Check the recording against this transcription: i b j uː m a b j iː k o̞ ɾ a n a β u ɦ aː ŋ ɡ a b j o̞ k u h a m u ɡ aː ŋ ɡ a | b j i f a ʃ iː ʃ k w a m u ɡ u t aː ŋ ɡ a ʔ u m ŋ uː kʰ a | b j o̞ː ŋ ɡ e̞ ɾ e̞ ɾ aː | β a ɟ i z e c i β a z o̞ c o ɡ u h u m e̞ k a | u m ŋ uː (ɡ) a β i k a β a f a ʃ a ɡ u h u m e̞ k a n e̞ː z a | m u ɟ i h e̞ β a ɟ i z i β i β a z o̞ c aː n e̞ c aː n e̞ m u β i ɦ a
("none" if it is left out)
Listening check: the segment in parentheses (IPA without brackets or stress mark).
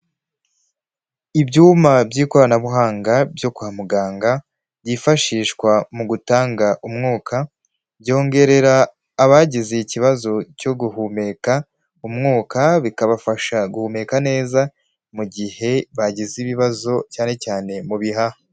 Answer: k